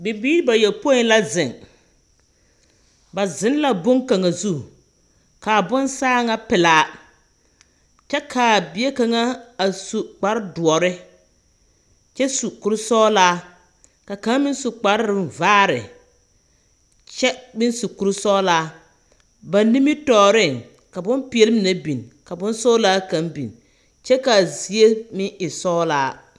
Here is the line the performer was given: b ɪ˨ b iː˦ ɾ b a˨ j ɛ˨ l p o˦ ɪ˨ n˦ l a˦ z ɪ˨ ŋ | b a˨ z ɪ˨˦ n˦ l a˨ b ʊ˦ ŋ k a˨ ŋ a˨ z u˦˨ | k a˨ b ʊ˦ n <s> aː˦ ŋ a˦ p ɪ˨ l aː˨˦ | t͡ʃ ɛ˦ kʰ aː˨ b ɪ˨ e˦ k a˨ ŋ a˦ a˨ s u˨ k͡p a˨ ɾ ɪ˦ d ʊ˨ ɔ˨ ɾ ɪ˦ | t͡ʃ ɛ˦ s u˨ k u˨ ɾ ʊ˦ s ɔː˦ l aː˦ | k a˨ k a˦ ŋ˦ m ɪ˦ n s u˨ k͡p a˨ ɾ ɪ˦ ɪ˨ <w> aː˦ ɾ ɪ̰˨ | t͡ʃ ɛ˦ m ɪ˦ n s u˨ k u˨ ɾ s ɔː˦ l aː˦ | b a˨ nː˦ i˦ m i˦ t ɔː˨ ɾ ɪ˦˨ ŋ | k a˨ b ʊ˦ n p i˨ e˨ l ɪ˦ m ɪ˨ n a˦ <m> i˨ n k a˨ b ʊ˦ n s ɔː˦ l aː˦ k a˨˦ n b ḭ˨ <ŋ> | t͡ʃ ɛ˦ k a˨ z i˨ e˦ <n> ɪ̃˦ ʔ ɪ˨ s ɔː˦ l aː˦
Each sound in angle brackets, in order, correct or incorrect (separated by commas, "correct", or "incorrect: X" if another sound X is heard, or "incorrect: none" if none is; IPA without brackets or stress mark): correct, incorrect: v, incorrect: b, incorrect: n, incorrect: m